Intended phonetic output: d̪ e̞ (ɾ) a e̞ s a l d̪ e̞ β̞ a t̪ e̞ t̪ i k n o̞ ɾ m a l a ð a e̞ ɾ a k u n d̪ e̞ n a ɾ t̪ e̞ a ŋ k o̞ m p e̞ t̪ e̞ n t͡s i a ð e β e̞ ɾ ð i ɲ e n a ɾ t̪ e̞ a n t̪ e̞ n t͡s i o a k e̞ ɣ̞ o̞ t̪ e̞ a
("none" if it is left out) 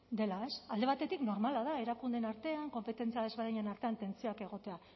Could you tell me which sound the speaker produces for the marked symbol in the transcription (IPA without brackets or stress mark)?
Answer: l